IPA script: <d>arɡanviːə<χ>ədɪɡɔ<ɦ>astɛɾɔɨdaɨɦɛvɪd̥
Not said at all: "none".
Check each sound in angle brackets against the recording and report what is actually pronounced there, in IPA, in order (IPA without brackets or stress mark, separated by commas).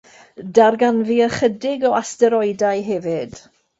d, χ, none